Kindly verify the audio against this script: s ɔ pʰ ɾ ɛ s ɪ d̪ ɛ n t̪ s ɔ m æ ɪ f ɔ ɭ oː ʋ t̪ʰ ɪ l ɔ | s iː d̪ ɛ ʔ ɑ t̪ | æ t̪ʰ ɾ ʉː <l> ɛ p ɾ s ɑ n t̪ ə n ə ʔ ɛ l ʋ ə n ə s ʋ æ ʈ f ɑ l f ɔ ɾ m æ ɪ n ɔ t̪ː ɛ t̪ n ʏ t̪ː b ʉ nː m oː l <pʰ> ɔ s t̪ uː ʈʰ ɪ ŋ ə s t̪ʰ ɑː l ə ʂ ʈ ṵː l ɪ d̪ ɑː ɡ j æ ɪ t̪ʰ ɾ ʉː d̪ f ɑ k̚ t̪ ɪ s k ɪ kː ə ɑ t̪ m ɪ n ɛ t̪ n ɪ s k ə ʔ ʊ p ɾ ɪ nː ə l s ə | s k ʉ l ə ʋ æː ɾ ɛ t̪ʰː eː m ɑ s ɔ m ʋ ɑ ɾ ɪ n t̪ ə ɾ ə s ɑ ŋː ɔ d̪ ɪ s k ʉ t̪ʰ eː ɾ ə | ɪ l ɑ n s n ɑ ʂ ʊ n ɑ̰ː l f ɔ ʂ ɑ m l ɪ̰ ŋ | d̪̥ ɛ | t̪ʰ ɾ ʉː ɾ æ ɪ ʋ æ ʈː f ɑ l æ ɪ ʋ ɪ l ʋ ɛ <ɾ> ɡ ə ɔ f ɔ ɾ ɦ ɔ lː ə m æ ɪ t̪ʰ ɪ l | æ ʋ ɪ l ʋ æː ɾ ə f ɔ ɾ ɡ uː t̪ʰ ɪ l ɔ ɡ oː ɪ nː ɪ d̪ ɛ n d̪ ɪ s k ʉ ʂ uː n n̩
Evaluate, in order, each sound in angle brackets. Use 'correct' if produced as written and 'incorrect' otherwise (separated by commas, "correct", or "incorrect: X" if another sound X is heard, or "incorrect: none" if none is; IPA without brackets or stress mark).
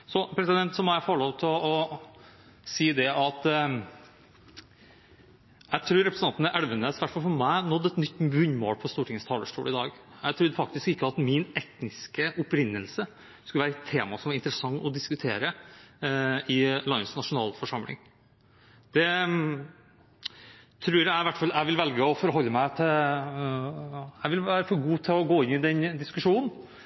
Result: incorrect: ɾ, correct, incorrect: l